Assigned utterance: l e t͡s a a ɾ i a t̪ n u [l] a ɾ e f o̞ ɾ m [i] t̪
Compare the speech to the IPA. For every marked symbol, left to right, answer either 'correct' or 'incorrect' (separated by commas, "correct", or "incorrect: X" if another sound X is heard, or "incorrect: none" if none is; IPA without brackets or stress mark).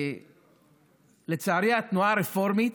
incorrect: none, correct